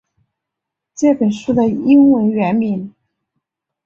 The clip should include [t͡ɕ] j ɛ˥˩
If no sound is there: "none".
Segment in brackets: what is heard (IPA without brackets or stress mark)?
t͡ɕ